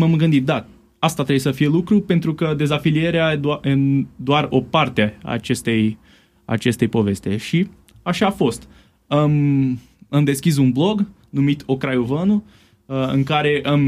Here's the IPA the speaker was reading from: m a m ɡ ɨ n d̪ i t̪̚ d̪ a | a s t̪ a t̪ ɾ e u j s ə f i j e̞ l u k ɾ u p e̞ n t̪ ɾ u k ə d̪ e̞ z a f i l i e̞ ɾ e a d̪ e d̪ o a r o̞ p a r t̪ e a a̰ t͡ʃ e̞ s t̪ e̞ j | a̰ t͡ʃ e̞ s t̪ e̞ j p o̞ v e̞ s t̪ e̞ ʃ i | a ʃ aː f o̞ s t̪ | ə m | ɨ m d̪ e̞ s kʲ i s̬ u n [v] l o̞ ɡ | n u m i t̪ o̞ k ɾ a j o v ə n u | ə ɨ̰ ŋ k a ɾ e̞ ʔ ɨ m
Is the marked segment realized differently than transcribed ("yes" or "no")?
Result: yes